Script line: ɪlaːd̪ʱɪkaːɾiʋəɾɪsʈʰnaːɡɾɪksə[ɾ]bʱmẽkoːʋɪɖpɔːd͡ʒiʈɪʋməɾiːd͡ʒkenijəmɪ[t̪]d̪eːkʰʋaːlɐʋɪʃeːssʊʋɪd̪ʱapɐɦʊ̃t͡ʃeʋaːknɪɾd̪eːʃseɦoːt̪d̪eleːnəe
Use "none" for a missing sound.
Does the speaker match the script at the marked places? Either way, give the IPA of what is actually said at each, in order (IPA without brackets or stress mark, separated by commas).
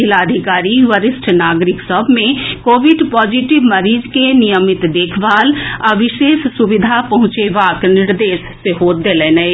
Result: none, t̪